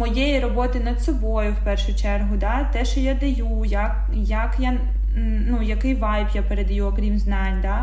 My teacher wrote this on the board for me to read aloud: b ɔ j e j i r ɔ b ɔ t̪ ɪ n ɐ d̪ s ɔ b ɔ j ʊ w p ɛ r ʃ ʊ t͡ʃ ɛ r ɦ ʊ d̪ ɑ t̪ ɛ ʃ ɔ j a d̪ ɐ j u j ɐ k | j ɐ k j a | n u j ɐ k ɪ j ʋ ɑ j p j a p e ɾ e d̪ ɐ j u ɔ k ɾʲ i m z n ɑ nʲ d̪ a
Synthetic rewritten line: m ɔ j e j i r ɔ b ɔ t̪ ɪ n ɐ d̪ s ɔ b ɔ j ʊ w p ɛ r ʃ ʊ t͡ʃ ɛ r ɦ ʊ d̪ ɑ t̪ ɛ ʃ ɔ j a d̪ ɐ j u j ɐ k | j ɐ k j a | n u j ɐ k ɪ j ʋ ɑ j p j a p e ɾ e d̪ ɐ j u ɔ k ɾʲ i m z n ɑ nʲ d̪ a